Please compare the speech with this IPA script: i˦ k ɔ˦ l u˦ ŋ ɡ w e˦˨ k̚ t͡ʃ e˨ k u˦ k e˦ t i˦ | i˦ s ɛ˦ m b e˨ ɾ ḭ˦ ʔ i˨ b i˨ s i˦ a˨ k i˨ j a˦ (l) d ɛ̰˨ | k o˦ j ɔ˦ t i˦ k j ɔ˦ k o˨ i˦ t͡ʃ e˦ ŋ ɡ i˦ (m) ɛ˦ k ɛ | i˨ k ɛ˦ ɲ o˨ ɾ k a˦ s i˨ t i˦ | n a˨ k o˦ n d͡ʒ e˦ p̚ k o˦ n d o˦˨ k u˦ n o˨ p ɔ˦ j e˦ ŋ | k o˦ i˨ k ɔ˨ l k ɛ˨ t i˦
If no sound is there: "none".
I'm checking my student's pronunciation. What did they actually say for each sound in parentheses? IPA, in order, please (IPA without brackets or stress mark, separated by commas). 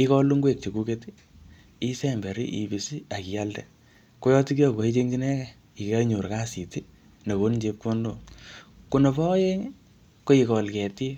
l, n